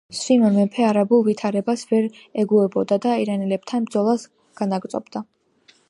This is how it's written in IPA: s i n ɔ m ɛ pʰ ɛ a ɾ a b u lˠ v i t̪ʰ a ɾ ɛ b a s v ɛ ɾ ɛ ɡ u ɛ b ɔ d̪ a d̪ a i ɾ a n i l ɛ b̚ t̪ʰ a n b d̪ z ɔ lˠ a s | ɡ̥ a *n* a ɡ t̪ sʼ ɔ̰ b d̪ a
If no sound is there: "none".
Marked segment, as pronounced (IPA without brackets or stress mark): n